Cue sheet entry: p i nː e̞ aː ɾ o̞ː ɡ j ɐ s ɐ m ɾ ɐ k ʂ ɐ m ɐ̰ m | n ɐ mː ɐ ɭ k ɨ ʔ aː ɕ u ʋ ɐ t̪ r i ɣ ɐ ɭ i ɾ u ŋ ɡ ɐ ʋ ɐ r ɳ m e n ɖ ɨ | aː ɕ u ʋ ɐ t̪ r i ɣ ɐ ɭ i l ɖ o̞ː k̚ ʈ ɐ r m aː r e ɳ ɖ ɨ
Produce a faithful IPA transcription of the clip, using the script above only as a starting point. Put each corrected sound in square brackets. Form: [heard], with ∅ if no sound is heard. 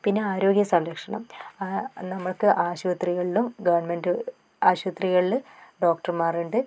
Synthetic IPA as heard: p i nː e̞ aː ɾ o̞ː ɡ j ɐ s ɐ m ɾ ɐ k ʂ ɐ [ɳ] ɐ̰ m | n ɐ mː ɐ ɭ k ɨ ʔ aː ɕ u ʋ ɐ t̪ r i ɣ ɐ ɭ i [l] u [m] ɡ ɐ ʋ ɐ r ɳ m e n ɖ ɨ | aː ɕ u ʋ ɐ t̪ r i ɣ ɐ ɭ i l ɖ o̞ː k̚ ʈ ɐ r m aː r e ɳ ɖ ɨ